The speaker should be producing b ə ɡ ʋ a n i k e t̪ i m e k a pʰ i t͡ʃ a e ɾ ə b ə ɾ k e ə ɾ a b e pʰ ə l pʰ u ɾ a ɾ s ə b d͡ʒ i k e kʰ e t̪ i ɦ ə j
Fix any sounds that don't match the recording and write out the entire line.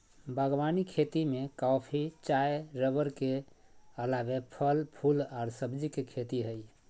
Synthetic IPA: b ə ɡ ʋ a n i kʰ e t̪ i m e k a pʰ i t͡ʃ a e ɾ ə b ə ɾ k e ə l a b e pʰ ə l pʰ u l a ɾ s ə b d͡ʒ i k e kʰ e t̪ i ɦ ə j